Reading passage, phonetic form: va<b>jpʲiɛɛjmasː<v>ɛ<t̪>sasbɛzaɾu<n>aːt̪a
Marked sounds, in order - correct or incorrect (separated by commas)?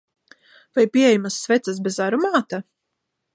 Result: incorrect, correct, correct, incorrect